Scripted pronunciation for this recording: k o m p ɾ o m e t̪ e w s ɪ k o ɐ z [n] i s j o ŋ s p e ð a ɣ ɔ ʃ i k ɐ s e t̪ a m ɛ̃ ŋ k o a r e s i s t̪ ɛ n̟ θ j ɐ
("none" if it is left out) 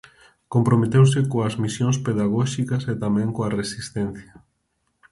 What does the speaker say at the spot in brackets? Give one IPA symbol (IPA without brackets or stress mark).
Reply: m